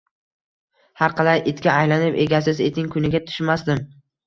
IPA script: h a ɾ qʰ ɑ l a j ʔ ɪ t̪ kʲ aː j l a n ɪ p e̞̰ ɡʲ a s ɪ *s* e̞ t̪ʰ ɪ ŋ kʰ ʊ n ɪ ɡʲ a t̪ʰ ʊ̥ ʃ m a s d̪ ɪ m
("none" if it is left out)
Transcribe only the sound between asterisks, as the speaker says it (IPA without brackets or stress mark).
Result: z